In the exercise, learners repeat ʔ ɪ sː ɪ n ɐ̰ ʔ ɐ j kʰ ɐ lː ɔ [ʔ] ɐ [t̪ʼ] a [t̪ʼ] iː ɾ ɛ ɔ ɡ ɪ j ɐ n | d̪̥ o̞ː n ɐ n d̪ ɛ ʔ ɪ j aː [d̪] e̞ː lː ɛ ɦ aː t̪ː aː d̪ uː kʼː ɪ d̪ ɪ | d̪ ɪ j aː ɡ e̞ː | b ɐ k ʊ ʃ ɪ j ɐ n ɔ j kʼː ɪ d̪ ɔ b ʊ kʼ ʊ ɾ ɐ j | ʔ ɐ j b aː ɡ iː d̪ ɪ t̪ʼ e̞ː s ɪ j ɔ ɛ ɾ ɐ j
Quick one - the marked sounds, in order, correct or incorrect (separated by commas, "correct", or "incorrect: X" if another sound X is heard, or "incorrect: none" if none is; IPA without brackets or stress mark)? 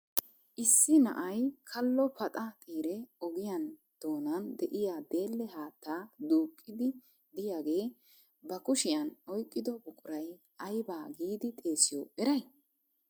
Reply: incorrect: p, correct, correct, correct